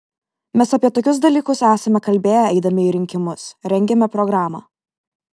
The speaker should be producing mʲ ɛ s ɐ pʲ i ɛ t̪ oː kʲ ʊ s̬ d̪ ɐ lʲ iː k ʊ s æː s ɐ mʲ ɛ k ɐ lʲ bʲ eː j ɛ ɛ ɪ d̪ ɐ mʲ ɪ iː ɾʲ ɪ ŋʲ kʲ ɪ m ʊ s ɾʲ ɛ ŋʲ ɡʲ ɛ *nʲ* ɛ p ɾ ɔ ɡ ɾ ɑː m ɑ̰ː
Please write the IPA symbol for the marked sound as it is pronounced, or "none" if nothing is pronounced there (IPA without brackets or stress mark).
mʲ